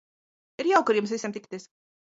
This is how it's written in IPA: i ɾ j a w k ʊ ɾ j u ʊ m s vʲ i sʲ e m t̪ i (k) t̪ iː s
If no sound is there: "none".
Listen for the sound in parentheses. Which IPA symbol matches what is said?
k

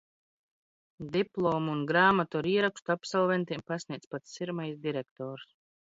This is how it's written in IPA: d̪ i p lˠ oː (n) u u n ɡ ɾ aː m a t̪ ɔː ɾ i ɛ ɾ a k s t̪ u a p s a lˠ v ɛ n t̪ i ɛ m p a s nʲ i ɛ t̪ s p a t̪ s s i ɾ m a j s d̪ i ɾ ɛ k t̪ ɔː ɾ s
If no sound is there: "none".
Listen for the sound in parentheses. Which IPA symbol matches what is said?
m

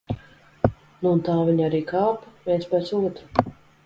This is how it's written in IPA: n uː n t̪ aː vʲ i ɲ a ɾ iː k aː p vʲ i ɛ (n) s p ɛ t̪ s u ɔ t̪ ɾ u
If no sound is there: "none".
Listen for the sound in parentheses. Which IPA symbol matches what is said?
n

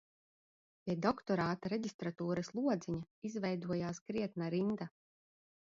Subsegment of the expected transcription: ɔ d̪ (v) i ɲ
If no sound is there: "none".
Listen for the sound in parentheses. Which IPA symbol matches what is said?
z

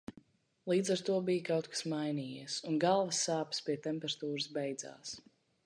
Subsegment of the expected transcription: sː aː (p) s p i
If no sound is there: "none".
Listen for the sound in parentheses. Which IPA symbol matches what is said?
p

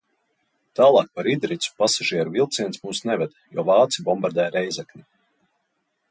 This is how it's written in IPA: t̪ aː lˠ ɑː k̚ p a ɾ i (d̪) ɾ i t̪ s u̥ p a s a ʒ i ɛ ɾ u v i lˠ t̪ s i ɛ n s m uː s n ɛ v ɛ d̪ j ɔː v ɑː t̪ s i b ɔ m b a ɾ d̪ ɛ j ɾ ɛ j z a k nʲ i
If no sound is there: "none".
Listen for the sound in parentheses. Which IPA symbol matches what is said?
d̪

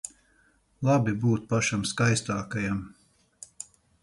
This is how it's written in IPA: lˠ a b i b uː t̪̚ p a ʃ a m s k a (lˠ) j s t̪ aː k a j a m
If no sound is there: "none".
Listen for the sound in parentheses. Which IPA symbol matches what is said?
none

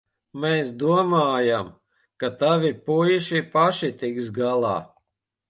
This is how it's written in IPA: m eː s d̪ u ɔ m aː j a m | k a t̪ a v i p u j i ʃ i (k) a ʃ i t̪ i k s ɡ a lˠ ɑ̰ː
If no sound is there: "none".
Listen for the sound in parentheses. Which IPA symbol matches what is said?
p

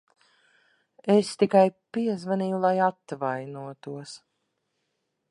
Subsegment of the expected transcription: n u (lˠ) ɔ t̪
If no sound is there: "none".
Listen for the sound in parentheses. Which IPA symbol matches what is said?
none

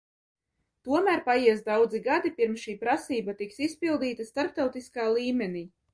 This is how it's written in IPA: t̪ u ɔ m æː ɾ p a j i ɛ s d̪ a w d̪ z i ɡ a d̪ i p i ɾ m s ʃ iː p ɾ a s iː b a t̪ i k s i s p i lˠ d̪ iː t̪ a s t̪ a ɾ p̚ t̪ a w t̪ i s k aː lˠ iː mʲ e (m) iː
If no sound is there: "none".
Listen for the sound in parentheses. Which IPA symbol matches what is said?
n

